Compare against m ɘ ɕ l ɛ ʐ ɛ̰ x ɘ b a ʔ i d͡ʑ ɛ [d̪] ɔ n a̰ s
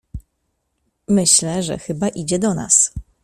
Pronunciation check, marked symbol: correct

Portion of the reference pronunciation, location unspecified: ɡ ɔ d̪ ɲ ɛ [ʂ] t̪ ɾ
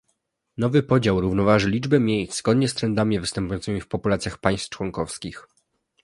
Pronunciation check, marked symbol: incorrect: s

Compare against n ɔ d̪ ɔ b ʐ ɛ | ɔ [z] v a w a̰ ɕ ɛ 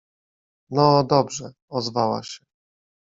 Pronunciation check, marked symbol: correct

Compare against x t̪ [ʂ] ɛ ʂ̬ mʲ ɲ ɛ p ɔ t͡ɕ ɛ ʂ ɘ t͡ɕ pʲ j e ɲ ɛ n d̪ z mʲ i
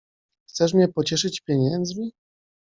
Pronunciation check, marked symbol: incorrect: s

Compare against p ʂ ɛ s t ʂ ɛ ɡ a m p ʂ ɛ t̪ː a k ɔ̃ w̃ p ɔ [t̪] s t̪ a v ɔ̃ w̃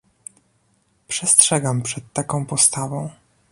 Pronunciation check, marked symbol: incorrect: none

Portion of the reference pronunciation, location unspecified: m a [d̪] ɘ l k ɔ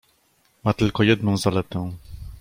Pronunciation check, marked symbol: incorrect: t̪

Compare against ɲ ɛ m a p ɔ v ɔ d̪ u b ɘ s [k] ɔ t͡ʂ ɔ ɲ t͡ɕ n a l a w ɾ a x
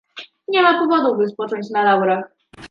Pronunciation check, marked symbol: incorrect: p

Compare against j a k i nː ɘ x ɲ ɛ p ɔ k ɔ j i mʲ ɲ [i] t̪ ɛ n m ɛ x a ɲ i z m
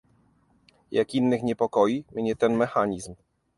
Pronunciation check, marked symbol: incorrect: ɛ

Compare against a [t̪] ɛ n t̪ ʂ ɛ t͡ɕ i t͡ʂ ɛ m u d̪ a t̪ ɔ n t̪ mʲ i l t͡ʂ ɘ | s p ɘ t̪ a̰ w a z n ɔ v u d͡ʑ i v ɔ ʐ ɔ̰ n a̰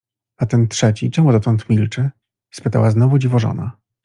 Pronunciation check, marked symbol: correct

